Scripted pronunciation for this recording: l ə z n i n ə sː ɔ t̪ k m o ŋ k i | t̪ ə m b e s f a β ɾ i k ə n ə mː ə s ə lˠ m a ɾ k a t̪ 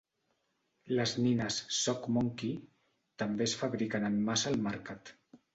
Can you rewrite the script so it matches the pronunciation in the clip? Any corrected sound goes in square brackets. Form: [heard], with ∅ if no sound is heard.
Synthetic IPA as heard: l ə z n i n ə sː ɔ [∅] k m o ŋ k i | t̪ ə m b e s f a β ɾ i k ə n ə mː [a] s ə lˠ m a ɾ k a t̪